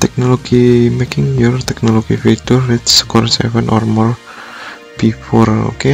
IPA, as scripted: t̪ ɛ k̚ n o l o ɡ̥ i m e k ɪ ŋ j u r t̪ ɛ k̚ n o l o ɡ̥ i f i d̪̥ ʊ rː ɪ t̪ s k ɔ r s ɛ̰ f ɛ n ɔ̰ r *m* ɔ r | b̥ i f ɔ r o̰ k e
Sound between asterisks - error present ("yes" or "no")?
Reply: no